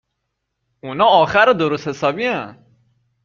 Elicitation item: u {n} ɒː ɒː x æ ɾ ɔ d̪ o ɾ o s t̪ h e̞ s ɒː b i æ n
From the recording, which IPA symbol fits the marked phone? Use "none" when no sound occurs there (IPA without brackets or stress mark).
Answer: n